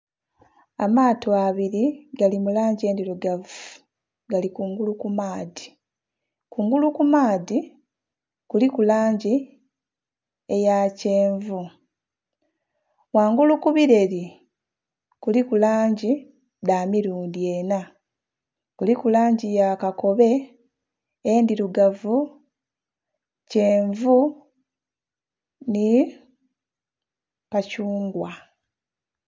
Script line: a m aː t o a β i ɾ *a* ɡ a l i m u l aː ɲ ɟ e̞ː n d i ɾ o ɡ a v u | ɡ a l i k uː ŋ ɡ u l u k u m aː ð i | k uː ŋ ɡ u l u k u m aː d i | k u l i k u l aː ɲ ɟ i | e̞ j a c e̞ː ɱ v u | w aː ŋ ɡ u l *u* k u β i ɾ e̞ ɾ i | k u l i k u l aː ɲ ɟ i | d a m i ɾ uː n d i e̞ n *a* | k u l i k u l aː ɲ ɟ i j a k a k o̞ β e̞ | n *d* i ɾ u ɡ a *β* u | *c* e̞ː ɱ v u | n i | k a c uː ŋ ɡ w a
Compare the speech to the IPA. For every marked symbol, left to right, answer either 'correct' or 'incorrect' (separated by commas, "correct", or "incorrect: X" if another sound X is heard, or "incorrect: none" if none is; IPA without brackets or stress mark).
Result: incorrect: i, correct, correct, correct, incorrect: v, correct